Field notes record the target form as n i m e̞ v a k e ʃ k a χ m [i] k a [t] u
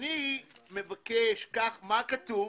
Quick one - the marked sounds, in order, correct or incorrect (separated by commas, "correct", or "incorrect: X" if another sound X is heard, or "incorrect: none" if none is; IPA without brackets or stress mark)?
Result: incorrect: a, correct